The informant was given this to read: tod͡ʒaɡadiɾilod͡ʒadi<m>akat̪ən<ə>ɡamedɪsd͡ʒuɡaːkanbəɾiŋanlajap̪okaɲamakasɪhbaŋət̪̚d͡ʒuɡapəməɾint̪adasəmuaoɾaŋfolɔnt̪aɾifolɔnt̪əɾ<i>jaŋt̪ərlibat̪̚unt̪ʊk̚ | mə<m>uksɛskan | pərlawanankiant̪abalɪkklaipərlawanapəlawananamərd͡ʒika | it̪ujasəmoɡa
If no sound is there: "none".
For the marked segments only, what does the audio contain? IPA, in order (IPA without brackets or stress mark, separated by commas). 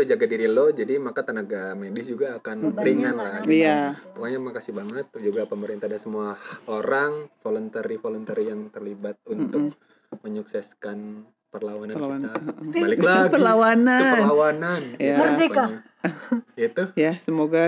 m, a, i, ɲ